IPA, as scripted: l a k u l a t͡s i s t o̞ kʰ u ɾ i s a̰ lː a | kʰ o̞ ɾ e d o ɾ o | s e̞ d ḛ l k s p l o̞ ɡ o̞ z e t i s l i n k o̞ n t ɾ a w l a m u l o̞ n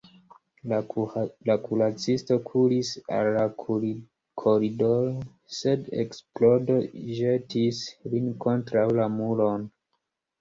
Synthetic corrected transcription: l a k u l a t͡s i s t o̞ kʰ u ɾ i s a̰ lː a | kʰ o̞ ɾ i d o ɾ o | s e̞ d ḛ k s p l o̞ d o̞ ʒ e t i s l i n k o̞ n t ɾ a w l a m u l o̞ n